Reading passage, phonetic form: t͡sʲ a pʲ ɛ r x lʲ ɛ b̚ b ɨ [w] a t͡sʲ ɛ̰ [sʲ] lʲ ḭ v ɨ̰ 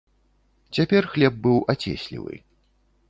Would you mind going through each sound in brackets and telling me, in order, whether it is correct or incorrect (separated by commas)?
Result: correct, correct